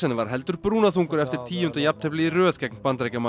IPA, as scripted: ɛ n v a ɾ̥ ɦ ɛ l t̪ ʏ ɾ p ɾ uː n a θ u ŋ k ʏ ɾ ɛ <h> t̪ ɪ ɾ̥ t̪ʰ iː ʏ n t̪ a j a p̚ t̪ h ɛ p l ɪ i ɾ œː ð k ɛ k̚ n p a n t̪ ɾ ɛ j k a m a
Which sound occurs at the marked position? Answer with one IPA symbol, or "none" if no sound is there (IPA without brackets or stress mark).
f